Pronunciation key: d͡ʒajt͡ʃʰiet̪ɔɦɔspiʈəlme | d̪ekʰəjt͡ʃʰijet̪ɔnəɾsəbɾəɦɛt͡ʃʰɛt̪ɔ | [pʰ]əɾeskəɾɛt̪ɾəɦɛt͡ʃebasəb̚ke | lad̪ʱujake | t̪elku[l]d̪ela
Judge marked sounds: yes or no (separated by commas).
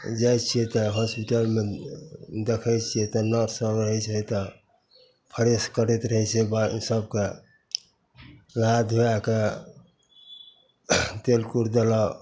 yes, no